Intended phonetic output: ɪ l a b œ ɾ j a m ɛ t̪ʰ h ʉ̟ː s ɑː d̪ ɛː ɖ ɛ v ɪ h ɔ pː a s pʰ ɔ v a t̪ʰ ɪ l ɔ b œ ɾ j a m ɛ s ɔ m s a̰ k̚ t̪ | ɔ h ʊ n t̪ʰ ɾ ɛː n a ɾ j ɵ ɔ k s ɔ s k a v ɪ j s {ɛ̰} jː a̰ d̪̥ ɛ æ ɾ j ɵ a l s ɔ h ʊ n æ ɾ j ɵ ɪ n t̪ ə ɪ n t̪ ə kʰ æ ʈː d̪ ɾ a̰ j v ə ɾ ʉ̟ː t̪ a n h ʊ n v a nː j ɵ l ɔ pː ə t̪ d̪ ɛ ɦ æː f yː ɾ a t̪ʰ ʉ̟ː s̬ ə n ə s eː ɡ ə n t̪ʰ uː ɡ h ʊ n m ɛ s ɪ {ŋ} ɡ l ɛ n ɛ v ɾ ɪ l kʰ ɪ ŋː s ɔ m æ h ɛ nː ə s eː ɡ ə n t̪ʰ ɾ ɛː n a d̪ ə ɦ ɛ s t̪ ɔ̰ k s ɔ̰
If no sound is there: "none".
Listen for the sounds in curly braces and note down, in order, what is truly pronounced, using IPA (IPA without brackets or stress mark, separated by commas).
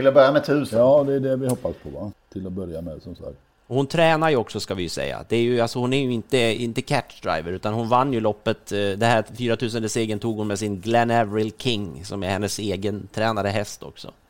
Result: ɛ̰, n